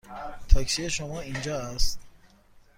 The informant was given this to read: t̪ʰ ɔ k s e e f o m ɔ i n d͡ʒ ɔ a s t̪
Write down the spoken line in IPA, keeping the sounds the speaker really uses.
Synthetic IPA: t̪ʰ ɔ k s i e ʃ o m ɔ i n d͡ʒ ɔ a s t̪